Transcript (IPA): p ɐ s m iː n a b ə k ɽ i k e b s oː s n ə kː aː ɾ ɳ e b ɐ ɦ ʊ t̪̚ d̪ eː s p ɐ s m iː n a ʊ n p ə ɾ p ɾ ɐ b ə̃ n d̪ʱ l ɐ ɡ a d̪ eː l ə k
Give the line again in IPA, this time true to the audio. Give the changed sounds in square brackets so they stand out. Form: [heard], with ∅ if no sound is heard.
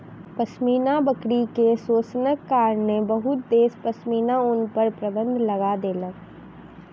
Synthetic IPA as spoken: p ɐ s m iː n a b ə k ɽ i k e [∅] s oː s n ə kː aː ɾ [n] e b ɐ ɦ ʊ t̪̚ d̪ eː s p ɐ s m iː n a ʊ n p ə ɾ p ɾ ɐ b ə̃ n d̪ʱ l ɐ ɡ a d̪ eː l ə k